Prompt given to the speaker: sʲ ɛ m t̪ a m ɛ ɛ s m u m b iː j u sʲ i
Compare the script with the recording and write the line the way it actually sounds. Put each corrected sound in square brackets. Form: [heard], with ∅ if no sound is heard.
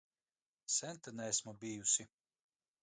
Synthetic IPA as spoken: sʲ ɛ [n] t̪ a [n] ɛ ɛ s m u [∅] b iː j u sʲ i